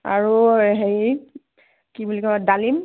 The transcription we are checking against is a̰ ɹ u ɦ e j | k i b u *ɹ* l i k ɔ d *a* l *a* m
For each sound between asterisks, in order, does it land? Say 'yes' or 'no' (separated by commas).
no, yes, no